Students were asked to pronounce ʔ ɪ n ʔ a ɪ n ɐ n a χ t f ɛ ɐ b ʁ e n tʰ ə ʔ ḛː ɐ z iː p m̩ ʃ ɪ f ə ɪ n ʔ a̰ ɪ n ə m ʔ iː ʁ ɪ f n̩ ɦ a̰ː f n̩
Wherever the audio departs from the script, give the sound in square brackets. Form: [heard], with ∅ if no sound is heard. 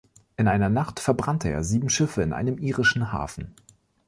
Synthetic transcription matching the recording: ʔ ɪ n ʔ a ɪ n ɐ n a χ t f ɛ ɐ b ʁ [a] n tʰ ə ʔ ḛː ɐ z iː [b] m̩ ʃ ɪ f ə ɪ n ʔ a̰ ɪ n ə m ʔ iː ʁ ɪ [ʃ] n̩ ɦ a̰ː f n̩